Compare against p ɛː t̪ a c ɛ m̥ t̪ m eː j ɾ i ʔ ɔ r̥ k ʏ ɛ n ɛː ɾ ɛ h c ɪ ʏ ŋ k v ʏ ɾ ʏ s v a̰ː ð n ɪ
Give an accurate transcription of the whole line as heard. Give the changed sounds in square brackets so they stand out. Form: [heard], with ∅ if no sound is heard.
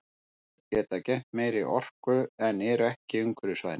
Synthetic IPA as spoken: [c] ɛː t̪ a c ɛ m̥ t̪ m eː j ɾ i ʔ ɔ r̥ k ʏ ɛ n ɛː ɾ ɛ h c ɪ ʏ ŋ k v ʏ ɾ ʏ s v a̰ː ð n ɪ

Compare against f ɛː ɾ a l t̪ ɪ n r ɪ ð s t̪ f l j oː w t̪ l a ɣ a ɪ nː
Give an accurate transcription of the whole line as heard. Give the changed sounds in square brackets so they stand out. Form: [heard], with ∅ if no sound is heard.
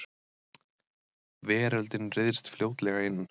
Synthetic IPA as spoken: [v] ɛː ɾ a l t̪ ɪ n r ɪ ð s t̪ f l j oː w t̪ l [ɛ] ɣ a ɪ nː

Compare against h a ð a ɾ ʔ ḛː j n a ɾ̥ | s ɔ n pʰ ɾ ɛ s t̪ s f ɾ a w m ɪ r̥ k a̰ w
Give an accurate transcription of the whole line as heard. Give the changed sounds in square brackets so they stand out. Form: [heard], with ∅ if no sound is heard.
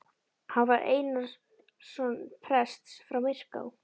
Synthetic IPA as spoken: h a [v] a ɾ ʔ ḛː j n a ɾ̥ | s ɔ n pʰ ɾ ɛ s t̪ s f ɾ a w m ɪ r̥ k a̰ w

